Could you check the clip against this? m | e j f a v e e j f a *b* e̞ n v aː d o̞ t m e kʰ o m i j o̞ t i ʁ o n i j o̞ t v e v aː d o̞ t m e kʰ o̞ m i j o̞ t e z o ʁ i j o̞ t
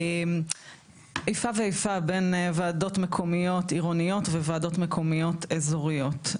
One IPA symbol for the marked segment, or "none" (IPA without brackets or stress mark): b